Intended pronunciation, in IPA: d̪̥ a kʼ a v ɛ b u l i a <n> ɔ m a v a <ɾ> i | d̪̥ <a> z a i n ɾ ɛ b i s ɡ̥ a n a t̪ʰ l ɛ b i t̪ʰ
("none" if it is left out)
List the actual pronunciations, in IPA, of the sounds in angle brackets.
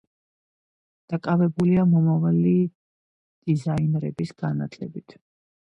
m, l, i

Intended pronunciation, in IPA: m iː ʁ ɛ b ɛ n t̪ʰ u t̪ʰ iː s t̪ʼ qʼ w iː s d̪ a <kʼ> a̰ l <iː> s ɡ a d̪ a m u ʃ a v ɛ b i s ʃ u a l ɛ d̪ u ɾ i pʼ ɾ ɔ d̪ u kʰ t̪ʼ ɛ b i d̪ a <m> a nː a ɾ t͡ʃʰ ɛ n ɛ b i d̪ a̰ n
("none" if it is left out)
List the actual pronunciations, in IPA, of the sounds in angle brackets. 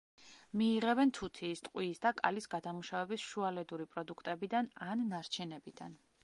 kʼ, i, n

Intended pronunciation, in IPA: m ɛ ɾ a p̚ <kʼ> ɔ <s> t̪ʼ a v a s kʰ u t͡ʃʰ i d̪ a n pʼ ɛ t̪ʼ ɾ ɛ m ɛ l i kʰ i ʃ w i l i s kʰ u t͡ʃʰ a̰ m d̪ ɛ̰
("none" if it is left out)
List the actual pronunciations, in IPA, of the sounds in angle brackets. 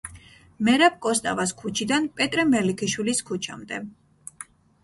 kʼ, s

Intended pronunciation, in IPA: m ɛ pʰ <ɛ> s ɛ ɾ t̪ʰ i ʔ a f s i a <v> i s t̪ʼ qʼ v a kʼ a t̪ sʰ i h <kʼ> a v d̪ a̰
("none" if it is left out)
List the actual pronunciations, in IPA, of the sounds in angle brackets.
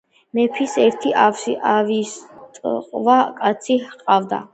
i, v, qʼ

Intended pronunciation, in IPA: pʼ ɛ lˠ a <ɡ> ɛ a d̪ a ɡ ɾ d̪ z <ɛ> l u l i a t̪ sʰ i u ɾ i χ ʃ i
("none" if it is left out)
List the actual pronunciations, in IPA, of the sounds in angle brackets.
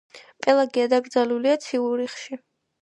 ɡ, a

